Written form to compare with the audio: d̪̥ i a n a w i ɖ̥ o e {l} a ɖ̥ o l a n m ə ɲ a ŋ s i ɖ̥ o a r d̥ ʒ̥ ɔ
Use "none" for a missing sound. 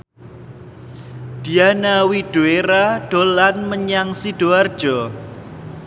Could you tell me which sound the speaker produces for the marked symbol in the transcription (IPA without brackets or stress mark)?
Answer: ɾ